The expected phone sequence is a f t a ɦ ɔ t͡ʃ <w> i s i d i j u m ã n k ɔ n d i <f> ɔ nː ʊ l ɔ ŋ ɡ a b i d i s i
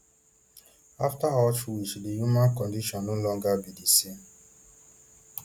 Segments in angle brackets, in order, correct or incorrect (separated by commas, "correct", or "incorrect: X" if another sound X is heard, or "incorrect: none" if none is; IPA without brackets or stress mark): correct, incorrect: ʃ